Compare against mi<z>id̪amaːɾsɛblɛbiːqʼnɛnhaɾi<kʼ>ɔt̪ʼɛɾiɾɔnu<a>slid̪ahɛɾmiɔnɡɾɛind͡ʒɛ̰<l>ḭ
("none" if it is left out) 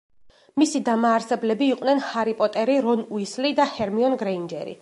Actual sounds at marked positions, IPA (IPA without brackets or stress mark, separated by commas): s, pʼ, i, ɾ